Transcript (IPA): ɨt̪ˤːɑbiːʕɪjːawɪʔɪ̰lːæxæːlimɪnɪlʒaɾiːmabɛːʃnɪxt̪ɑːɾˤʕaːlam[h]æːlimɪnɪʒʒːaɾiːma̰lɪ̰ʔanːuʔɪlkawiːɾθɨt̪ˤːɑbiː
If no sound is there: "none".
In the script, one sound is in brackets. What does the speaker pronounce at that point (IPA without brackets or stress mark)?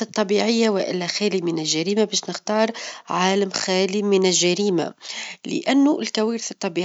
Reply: x